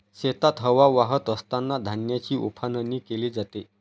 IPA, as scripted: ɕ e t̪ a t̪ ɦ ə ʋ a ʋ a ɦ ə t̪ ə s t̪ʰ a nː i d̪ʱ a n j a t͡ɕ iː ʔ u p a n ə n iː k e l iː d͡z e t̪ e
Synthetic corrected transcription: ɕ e t̪ a t̪ ɦ ə ʋ a ʋ a ɦ ə t̪ ə s t̪ a nː a d̪ʱ a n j a t͡ɕ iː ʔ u pʰ a n ə n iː k e l iː d͡z a t̪ e